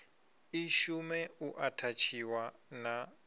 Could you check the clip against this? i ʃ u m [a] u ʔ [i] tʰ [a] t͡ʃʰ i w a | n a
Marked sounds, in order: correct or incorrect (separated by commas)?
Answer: incorrect, incorrect, correct